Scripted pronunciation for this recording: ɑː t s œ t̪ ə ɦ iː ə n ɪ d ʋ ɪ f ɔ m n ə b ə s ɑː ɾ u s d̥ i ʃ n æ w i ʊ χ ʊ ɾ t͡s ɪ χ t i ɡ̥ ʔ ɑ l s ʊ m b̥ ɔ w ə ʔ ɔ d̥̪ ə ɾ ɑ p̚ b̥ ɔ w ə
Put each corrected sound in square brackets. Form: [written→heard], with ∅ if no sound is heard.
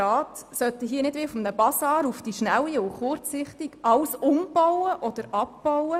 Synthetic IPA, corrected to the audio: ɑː t s œ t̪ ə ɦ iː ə n ɪ d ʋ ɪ f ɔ m n ə b [ə→ɑ] s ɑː ɾ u [s→f] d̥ i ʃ n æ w i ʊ χ ʊ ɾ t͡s ɪ χ t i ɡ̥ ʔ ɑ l s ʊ m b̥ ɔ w ə ʔ ɔ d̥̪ ə ɾ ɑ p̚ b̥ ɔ w ə